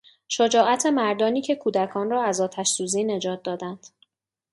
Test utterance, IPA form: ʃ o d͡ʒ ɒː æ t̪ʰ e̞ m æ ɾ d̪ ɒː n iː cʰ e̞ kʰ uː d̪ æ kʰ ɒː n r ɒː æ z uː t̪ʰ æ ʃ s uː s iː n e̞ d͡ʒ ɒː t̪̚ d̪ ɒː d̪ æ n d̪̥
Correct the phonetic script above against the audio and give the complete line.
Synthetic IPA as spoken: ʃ o d͡ʒ ɒː æ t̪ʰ e̞ m æ ɾ d̪ ɒː n iː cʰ e̞ kʰ uː d̪ æ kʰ ɒː n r ɒː æ z ɒː t̪ʰ æ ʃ s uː z iː n e̞ d͡ʒ ɒː t̪̚ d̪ ɒː d̪ æ n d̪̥